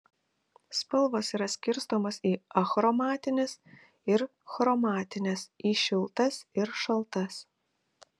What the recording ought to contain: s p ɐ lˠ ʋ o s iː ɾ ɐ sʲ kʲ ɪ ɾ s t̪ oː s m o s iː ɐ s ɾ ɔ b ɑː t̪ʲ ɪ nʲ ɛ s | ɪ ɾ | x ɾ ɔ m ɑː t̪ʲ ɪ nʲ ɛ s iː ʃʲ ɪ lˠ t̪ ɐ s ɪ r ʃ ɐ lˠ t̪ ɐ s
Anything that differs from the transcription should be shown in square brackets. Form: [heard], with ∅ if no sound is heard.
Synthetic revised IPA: s p ɐ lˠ ʋ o s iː ɾ ɐ sʲ kʲ ɪ ɾ s t̪ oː [∅] m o s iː ɐ [x] ɾ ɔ [m] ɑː t̪ʲ ɪ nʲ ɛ s | ɪ ɾ | x ɾ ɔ m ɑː t̪ʲ ɪ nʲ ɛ s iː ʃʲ ɪ lˠ t̪ ɐ s ɪ [ɾ] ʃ ɐ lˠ t̪ ɐ s

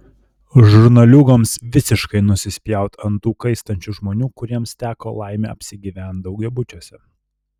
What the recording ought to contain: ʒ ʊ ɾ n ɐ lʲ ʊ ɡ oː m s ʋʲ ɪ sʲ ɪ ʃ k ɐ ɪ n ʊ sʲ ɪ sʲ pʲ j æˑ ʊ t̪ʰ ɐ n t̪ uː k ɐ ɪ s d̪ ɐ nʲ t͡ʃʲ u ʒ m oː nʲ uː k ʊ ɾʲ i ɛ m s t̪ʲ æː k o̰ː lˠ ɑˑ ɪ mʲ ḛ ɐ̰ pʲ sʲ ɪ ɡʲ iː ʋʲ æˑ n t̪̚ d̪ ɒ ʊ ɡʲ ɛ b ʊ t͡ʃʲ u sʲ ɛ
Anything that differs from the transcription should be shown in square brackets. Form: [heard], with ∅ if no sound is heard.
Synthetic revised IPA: ʒ ʊ ɾ n ɐ lʲ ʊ ɡ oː m s ʋʲ ɪ sʲ ɪ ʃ k ɐ ɪ n ʊ sʲ ɪ sʲ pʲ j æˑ ʊ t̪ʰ ɐ n t̪ uː k ɐ ɪ s [t̪] ɐ nʲ t͡ʃʲ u ʒ m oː nʲ uː k ʊ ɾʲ i ɛ m s t̪ʲ æː k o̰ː lˠ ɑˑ ɪ mʲ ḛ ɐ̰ pʲ sʲ ɪ ɡʲ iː ʋʲ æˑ n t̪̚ d̪ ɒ ʊ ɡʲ ɛ b ʊ t͡ʃʲ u sʲ ɛ

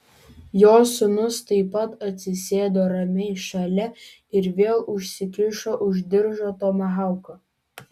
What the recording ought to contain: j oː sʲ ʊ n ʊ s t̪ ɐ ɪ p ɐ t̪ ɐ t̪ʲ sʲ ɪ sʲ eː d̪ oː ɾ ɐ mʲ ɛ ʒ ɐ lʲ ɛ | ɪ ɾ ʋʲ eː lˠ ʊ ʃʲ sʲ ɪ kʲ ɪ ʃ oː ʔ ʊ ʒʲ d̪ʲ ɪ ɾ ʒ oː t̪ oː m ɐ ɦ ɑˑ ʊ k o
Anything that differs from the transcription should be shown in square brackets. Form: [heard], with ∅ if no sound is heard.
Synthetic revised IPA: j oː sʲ ʊ n ʊ s t̪ ɐ ɪ p ɐ t̪ ɐ t̪ʲ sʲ ɪ sʲ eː d̪ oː ɾ ɐ mʲ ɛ [ʃ] ɐ lʲ ɛ | ɪ ɾ ʋʲ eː lˠ ʊ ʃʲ sʲ ɪ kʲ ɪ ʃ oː ʔ ʊ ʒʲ d̪ʲ ɪ ɾ ʒ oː t̪ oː m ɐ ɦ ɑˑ ʊ k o

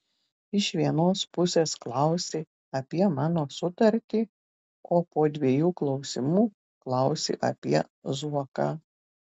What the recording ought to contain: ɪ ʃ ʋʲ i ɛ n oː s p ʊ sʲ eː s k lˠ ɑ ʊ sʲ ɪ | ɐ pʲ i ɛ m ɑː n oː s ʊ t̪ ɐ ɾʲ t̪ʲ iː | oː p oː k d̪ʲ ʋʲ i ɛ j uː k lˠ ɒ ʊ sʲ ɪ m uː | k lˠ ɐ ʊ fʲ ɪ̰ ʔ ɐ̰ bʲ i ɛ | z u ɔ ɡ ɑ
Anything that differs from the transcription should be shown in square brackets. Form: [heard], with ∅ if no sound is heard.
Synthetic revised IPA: ɪ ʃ ʋʲ i ɛ n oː s p ʊ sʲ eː s k lˠ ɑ ʊ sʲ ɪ | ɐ pʲ i ɛ m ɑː n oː s ʊ t̪ ɐ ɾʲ t̪ʲ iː | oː p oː [∅] d̪ʲ ʋʲ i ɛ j uː k lˠ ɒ ʊ sʲ ɪ m uː | k lˠ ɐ ʊ [sʲ] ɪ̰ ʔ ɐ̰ [pʲ] i ɛ | z u ɔ [k] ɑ

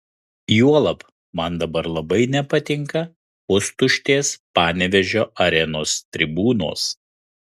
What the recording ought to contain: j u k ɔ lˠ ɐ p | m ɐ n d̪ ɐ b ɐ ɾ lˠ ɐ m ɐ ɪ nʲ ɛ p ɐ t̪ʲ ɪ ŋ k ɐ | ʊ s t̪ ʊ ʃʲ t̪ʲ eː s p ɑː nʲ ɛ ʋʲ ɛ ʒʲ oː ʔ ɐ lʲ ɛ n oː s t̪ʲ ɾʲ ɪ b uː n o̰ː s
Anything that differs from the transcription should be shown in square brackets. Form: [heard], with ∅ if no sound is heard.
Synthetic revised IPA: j u [∅] ɔ lˠ ɐ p | m ɐ n d̪ ɐ b ɐ ɾ lˠ ɐ [b] ɐ ɪ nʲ ɛ p ɐ t̪ʲ ɪ ŋ k ɐ | ʊ s t̪ ʊ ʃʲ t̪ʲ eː s p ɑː nʲ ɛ ʋʲ ɛ ʒʲ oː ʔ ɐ [ɾʲ] ɛ n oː s t̪ʲ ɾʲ ɪ b uː n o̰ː s

